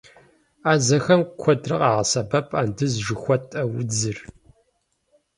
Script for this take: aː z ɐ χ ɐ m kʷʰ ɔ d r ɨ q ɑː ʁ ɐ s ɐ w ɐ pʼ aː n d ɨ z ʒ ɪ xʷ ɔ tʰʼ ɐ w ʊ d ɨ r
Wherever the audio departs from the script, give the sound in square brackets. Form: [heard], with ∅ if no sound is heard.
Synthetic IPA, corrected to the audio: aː z ɐ [x] ɐ m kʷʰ ɔ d r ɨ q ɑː ʁ ɐ s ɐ [b] ɐ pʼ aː n d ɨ z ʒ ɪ xʷ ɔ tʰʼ ɐ w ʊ [d͡z] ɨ r